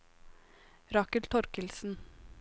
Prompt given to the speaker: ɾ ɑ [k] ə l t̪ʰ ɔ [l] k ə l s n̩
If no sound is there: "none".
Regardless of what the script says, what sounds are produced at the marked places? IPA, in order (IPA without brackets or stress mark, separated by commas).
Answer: k, ɾ